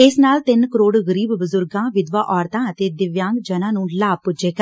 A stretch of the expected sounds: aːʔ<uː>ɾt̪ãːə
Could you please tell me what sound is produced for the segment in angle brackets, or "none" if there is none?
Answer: ɔː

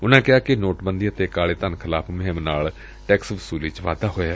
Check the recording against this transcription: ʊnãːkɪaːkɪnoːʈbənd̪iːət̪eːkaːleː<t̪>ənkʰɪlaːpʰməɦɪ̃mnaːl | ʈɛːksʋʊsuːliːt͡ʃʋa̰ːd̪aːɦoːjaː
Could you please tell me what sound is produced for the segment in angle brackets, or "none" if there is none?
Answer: t̪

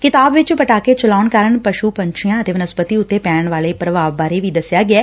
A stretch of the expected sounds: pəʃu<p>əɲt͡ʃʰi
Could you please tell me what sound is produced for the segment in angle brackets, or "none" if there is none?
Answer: p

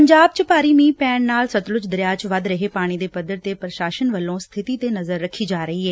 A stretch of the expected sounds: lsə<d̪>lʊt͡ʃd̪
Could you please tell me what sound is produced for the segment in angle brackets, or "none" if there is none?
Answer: t̪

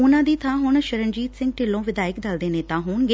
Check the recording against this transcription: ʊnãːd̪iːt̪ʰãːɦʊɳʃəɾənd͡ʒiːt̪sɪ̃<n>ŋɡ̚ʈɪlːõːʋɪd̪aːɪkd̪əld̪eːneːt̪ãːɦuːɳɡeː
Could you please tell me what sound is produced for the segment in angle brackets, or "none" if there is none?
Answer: none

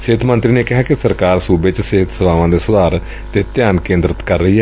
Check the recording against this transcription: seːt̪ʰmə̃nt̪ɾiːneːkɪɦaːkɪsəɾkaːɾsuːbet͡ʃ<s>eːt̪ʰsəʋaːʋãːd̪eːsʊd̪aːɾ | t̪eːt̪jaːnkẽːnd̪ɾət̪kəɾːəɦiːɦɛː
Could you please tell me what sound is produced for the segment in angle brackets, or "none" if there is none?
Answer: s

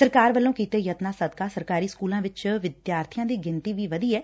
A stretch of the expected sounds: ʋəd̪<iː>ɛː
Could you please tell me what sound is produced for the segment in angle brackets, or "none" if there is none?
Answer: iː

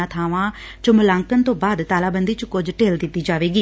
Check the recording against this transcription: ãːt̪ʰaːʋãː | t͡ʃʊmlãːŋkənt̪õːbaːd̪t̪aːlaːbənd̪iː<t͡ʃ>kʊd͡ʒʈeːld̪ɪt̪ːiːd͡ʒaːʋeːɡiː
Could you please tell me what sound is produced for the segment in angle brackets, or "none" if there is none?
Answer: t͡ʃ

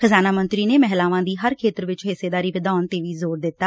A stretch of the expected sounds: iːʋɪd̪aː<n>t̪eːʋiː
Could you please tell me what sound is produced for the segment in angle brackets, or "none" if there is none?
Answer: n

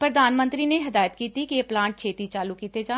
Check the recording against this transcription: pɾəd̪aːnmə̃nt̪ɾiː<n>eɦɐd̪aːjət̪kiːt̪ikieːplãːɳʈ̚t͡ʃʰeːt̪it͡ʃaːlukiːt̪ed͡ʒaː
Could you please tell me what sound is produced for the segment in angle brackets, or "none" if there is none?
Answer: n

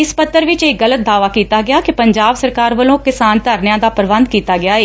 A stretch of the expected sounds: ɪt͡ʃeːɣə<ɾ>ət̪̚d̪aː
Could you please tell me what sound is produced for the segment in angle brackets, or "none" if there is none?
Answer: l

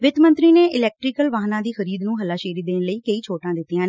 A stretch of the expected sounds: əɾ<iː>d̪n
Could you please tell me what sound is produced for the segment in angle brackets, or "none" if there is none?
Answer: iː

